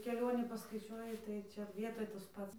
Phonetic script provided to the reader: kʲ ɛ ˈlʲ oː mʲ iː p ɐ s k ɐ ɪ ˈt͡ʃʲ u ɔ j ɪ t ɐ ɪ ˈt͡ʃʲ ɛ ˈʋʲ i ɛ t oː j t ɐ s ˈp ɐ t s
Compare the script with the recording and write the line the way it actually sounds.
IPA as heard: kʲ ɛ ˈlʲ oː nʲ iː p ɐ s k ɐ ɪ ˈt͡ʃʲ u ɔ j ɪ t ɐ ɪ ˈt͡ʃʲ ɛ ˈʋʲ i ɛ t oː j t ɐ s ˈp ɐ t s